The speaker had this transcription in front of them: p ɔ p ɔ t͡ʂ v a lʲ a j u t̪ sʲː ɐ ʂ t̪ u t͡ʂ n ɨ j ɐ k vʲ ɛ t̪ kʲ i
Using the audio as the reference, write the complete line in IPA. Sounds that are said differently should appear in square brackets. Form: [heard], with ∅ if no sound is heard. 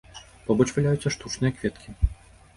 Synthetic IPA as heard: p ɔ [b] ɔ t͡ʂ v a lʲ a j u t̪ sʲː ɐ ʂ t̪ u t͡ʂ n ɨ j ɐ k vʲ ɛ t̪ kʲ i